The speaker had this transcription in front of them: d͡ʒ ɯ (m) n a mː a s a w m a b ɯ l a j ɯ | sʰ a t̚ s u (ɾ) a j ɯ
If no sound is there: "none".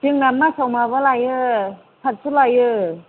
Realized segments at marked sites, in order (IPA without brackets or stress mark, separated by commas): ŋ, l